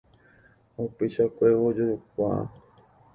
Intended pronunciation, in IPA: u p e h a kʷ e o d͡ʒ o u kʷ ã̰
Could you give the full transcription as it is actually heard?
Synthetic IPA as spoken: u p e ʃ a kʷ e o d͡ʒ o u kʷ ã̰

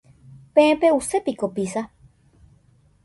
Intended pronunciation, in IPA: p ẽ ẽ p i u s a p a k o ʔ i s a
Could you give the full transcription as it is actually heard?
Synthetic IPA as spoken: p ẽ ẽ p e u s e p i k o p i s a

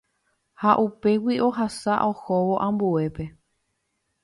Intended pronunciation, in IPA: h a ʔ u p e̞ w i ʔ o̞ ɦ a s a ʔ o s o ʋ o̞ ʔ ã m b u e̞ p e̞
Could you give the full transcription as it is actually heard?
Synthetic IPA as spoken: h a ʔ u p e̞ w i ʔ o̞ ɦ a s a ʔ o h o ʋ o̞ ʔ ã m b u e̞ p e̞

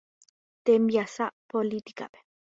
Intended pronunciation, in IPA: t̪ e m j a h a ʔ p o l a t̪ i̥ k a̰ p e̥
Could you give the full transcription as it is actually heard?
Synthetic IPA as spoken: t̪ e m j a s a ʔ p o l i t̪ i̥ k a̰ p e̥

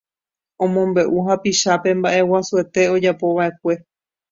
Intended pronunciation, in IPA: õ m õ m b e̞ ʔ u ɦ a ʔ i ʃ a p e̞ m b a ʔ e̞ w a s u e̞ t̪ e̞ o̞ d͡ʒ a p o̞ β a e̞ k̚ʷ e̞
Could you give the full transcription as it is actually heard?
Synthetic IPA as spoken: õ m õ m b e̞ ʔ u ɦ a p i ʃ a p e̞ m b a ʔ e̞ w a s u e̞ t̪ e̞ o̞ d͡ʒ a p o̞ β a e̞ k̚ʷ e̞

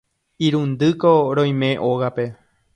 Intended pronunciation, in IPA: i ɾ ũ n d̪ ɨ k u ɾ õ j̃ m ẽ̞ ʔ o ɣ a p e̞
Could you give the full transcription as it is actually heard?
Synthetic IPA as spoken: i ɾ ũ n d̪ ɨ k o ɾ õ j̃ m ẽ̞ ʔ o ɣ a p e̞

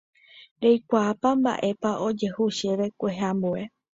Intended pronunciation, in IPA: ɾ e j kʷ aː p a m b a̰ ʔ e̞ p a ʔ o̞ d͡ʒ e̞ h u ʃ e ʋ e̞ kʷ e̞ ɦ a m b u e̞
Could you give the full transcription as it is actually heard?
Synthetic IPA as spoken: ɾ e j kʷ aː p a m b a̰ ʔ e̞ p a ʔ o̞ d͡ʒ e̞ h u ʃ e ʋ e̞ kʷ e̞ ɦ a m b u e̞

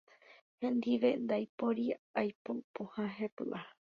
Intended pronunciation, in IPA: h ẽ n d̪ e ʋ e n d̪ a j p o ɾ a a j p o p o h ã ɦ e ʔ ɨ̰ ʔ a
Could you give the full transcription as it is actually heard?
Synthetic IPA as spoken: h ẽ n d̪ i ʋ e n d̪ a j p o ɾ i a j p o p o h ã ɦ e p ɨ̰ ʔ a

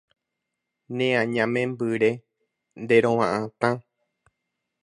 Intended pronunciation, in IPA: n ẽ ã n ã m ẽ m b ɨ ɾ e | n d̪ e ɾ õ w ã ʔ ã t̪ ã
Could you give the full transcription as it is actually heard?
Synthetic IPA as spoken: n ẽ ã ɲ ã m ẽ m b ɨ ɾ e | n d̪ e ɾ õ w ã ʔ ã t̪ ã

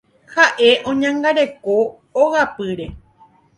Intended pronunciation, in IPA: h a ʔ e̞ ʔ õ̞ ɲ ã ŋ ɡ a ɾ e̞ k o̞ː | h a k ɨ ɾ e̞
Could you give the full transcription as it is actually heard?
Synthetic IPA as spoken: h a ʔ e̞ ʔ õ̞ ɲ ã ŋ ɡ a ɾ e̞ k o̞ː | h a p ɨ ɾ e̞

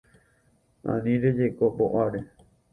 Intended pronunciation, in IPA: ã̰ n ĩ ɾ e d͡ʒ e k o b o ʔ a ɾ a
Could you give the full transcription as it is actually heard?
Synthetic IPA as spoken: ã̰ n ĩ ɾ e d͡ʒ e k o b o ʔ a ɾ e

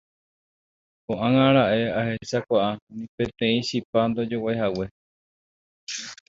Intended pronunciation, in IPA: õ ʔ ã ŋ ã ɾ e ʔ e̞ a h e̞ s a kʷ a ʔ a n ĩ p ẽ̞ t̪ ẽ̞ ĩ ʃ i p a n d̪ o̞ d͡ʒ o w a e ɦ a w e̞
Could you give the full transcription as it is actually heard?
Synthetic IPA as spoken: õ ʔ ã ŋ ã ɾ a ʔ e̞ a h e̞ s a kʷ a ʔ a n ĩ p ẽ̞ t̪ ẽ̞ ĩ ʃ i p a n d̪ o̞ d͡ʒ o w a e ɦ a w e̞

